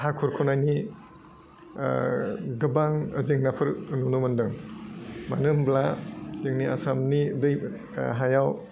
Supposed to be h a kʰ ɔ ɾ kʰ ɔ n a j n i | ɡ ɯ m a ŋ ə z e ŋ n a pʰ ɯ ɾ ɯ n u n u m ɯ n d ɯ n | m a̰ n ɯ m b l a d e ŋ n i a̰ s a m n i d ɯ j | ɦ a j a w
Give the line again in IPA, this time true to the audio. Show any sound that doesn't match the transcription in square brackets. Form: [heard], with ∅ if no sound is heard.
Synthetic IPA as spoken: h a kʰ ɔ ɾ kʰ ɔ n a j n i | ɡ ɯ [b] a ŋ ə z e ŋ n a pʰ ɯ ɾ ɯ n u n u m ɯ n d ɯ [ŋ] | m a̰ n ɯ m b l a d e ŋ n i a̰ s a m n i d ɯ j | ɦ a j a w